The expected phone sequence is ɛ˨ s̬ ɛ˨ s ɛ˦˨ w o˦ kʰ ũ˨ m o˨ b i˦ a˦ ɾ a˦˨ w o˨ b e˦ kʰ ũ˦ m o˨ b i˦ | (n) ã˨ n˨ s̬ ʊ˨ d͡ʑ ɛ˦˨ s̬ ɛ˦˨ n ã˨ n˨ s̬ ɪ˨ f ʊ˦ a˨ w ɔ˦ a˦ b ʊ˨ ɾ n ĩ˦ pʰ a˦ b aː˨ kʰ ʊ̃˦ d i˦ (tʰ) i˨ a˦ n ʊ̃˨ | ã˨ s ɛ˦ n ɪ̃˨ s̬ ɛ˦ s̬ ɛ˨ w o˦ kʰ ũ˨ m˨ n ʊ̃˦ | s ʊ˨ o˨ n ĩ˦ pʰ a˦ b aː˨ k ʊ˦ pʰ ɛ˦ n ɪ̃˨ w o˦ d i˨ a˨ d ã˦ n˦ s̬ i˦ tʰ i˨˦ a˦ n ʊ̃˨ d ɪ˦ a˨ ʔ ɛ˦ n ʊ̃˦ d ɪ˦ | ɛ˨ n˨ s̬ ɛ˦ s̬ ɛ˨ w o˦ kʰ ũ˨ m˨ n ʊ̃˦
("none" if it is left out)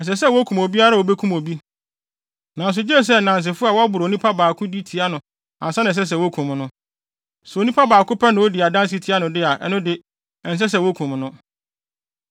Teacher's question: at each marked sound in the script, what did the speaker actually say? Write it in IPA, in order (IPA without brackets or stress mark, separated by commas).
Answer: n, tʰ